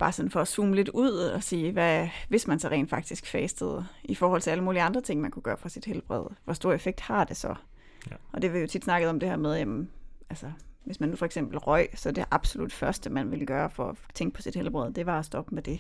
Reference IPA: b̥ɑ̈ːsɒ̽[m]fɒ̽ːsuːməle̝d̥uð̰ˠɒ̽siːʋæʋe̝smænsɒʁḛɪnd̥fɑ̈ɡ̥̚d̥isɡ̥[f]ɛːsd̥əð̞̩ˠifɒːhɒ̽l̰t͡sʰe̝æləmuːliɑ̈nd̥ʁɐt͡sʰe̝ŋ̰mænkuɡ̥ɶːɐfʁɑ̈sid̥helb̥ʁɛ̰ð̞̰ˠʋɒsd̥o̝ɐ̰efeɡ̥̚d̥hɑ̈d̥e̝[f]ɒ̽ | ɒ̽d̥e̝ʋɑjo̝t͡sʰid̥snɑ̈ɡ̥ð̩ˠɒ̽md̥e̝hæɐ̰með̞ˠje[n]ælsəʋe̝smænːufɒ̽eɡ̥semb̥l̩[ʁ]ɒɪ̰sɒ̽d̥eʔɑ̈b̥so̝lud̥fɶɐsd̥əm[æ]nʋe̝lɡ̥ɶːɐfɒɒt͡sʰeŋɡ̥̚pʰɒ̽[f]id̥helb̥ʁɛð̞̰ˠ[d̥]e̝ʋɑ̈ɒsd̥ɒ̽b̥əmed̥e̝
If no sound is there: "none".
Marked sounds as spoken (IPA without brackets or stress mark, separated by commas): n, f, s, m, ʁ, æ, s, d̥